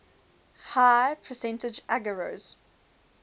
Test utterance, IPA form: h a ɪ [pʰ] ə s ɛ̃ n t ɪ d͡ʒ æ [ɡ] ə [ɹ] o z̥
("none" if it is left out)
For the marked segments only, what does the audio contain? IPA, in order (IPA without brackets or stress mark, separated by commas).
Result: pʰ, ɡ, ɹ